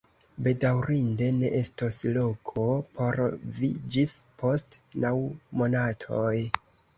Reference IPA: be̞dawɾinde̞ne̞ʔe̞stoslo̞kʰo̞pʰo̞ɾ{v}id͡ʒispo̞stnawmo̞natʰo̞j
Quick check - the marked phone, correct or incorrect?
correct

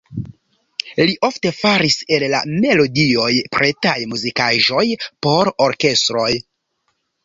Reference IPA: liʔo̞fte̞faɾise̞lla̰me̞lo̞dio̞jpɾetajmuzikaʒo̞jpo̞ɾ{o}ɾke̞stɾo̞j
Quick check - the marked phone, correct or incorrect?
correct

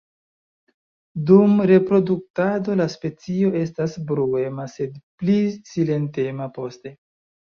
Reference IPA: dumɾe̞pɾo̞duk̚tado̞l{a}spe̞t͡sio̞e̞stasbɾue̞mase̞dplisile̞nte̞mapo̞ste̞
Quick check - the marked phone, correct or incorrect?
correct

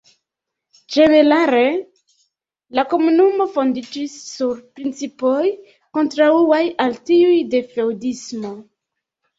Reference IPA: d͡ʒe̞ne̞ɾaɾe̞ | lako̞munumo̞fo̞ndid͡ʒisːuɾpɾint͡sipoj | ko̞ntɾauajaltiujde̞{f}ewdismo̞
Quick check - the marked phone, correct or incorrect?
correct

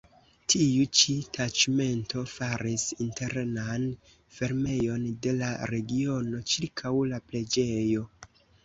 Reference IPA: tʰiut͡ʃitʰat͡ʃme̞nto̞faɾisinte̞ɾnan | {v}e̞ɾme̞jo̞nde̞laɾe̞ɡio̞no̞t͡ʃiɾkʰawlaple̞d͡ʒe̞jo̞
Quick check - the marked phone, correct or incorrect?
incorrect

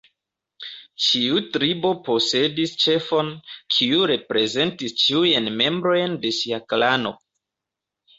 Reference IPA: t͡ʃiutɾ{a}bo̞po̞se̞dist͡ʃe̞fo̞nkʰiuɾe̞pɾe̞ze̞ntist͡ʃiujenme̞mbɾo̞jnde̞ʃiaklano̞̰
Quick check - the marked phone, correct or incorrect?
incorrect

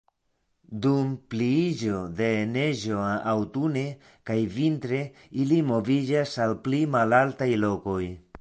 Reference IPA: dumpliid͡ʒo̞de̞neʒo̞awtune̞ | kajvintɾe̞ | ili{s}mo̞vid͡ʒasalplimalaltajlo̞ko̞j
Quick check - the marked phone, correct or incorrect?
incorrect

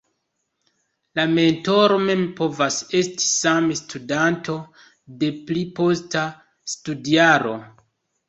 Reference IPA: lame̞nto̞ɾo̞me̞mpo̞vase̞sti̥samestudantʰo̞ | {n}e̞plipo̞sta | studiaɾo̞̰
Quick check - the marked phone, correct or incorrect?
incorrect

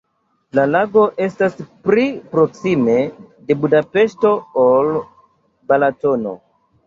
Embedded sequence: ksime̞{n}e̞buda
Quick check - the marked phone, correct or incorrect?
incorrect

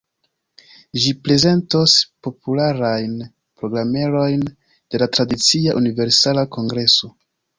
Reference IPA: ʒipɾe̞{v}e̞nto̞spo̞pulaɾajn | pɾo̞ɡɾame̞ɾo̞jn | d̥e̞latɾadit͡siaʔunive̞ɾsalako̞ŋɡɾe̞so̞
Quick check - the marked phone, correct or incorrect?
incorrect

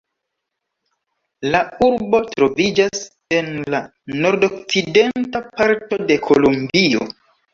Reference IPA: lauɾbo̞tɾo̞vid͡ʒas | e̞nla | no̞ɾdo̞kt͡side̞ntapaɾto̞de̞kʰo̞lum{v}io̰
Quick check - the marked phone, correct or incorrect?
incorrect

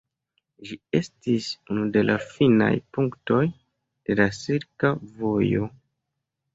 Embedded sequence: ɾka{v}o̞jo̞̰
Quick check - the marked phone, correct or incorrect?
correct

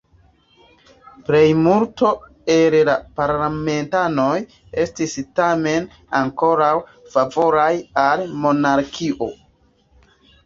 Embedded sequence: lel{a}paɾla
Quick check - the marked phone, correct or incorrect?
correct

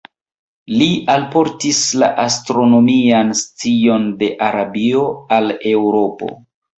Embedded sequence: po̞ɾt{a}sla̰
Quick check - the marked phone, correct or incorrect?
incorrect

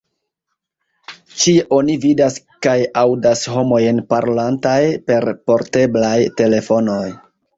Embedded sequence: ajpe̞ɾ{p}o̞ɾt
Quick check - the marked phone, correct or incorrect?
correct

